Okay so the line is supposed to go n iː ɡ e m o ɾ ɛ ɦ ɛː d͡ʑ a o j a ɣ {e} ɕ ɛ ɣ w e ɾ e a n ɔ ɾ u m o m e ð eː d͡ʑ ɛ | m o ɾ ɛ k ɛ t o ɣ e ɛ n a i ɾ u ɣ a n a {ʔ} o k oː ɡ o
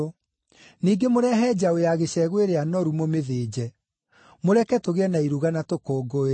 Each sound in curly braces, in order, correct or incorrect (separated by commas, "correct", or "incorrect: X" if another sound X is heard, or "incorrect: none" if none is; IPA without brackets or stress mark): correct, incorrect: t